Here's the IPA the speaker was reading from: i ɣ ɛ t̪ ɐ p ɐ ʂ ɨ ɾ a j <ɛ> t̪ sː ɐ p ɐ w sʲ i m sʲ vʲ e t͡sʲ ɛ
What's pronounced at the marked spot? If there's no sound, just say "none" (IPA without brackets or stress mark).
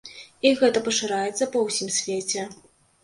ɛ